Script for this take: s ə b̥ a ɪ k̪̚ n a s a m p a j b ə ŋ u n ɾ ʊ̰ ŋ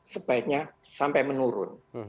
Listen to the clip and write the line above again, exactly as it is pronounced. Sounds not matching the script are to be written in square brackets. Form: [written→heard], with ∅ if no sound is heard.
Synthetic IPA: s ə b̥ a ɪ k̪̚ [n→ɲ] a s a m p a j [b→m] ə [ŋ→n] u [n→∅] ɾ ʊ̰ [ŋ→n]